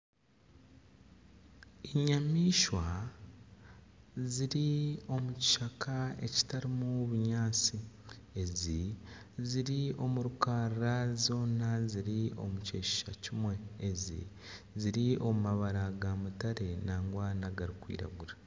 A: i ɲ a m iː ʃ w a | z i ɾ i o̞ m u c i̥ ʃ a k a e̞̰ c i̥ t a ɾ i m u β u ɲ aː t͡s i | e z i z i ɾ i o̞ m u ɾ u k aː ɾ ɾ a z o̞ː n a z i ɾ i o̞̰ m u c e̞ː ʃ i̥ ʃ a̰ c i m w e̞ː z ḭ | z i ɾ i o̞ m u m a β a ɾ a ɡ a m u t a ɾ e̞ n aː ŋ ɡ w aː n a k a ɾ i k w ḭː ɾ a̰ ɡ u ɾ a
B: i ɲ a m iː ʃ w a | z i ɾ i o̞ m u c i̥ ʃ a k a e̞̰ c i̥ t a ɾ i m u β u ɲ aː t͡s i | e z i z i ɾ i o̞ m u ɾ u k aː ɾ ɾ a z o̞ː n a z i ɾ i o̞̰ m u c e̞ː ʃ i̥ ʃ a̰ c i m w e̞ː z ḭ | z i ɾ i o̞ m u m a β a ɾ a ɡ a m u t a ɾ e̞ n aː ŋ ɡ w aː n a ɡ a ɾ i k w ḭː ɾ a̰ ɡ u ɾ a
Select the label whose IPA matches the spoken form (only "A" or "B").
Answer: B